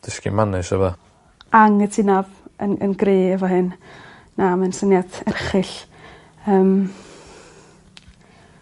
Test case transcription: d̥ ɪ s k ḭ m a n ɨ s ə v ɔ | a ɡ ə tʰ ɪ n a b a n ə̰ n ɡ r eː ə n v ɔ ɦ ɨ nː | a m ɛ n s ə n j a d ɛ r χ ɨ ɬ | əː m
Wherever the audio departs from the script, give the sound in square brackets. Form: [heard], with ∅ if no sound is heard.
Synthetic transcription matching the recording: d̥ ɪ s k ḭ m a n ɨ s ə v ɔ | a [ŋ] ə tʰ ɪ n a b [ə] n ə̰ n ɡ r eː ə [∅] v ɔ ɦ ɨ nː | a m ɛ n s ə n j a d ɛ r χ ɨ ɬ | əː m